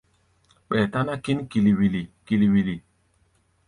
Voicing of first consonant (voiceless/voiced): voiceless